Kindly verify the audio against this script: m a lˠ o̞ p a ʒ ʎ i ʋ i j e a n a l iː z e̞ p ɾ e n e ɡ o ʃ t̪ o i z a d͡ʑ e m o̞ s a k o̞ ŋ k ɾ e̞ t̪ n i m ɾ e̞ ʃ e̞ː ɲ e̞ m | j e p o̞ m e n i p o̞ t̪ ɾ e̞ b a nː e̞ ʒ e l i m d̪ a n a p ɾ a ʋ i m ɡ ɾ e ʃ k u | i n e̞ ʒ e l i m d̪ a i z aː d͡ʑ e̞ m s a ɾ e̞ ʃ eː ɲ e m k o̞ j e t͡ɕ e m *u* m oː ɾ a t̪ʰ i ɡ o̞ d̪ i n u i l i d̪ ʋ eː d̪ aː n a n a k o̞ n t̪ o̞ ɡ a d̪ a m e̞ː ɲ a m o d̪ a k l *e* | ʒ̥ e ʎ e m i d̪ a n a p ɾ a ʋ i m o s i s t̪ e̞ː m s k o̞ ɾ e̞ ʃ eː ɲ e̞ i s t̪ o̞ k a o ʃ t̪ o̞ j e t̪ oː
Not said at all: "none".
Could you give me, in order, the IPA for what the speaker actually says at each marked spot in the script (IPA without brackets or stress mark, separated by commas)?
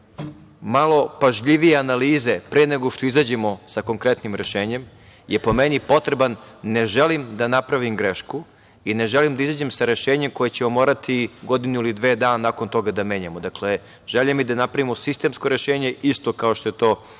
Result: o, e